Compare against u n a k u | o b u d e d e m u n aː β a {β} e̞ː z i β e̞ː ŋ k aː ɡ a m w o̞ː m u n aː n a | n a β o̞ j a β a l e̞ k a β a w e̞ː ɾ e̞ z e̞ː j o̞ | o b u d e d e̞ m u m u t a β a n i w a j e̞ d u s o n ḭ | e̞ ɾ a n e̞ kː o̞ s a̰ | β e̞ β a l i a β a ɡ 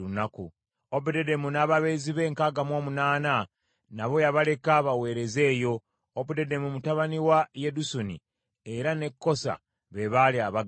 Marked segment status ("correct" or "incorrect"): correct